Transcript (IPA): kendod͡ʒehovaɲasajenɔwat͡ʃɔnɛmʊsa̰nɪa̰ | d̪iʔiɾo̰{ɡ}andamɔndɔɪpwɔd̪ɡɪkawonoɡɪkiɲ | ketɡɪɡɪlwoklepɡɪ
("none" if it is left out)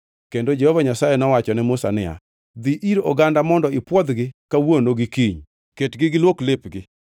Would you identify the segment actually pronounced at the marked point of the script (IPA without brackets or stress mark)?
ɡ